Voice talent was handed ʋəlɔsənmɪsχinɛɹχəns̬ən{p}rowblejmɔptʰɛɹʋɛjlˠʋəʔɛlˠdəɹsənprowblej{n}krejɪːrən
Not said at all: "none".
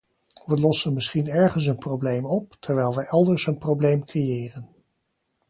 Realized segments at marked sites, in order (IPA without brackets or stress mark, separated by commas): p, m